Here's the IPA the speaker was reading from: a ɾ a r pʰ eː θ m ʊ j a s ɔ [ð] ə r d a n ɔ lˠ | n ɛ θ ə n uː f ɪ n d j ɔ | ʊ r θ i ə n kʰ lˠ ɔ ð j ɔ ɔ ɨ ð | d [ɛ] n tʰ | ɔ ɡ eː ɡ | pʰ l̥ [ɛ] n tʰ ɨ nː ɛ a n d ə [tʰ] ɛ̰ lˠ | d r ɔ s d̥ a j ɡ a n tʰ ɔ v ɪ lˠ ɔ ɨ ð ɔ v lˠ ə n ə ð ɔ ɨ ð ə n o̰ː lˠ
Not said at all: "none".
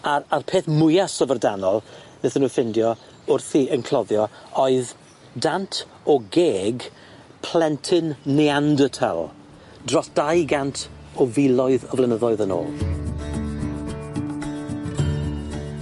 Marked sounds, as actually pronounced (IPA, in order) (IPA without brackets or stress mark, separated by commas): v, a, ɛ, tʰ